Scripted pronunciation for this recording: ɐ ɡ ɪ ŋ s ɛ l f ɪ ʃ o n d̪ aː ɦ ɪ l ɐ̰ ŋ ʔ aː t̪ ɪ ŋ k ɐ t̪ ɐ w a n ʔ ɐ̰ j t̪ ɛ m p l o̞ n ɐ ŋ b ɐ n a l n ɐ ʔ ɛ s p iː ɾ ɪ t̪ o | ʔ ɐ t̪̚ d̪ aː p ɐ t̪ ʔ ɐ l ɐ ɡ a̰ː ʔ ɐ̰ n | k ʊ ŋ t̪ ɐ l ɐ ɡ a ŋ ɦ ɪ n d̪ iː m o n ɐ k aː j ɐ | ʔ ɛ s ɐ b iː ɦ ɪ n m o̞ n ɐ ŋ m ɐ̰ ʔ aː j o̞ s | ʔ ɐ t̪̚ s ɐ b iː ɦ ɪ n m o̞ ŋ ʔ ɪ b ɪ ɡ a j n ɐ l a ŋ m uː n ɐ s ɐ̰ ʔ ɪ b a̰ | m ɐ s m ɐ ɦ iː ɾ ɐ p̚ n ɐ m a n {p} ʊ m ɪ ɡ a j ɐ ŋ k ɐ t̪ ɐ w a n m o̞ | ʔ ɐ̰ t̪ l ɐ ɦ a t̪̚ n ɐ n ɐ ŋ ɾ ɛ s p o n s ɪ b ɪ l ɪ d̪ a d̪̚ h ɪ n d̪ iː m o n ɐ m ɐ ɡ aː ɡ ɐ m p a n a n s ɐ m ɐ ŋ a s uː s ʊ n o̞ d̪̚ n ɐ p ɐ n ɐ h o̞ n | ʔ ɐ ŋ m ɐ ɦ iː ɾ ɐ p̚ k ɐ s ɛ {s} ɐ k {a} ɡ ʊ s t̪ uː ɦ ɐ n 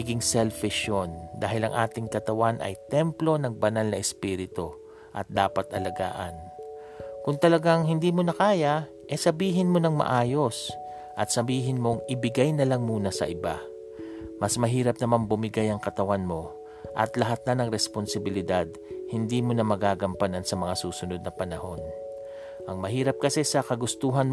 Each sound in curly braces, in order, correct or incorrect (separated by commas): incorrect, correct, incorrect